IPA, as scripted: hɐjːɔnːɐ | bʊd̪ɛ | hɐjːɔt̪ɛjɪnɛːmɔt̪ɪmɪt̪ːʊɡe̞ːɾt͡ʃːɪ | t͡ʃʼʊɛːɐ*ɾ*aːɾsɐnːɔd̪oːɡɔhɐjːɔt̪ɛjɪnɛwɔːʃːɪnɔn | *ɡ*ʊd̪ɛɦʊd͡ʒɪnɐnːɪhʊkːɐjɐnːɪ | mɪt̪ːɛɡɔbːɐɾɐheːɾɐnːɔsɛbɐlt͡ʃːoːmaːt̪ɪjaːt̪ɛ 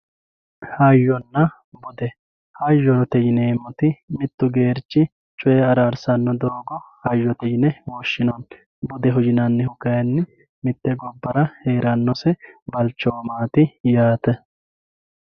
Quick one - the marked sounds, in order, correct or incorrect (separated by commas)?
correct, incorrect